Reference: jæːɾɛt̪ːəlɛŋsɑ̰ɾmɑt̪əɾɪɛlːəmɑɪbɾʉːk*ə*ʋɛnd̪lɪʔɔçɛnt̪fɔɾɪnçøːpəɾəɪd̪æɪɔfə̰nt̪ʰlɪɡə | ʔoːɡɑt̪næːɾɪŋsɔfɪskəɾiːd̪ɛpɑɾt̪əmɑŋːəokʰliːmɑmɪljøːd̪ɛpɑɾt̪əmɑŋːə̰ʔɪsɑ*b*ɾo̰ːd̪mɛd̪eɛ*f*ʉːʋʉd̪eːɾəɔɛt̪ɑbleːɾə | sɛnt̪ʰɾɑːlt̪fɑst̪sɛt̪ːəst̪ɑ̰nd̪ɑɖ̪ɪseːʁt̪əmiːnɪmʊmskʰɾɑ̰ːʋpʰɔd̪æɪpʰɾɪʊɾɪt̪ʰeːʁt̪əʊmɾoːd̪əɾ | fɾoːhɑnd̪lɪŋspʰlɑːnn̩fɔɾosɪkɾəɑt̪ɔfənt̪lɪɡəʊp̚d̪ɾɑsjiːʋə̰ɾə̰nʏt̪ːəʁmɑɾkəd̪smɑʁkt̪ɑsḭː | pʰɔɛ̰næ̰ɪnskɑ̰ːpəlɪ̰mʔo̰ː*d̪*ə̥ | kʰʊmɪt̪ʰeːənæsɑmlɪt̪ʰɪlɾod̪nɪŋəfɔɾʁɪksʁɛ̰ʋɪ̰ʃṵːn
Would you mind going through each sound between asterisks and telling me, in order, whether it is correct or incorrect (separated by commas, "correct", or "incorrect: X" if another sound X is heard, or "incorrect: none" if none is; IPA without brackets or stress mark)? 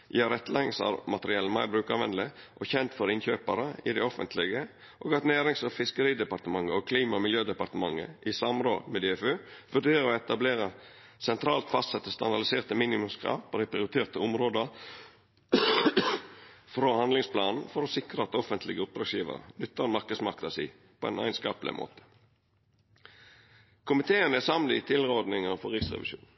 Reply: incorrect: ɑ, incorrect: m, correct, incorrect: t̪